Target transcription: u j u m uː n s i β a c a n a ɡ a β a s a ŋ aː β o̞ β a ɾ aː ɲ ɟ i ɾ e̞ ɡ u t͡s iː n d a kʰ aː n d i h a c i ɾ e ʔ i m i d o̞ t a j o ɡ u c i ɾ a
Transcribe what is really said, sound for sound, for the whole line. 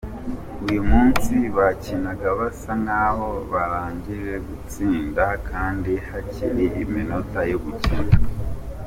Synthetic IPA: u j u m uː n s i β a c i n a ɡ a β a s a ŋ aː β o̞ β a ɾ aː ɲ ɟ i ɾ e̞ ɡ u t͡s iː n d a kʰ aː n d i h a c i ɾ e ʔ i m i n o̞ t a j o ɡ u c i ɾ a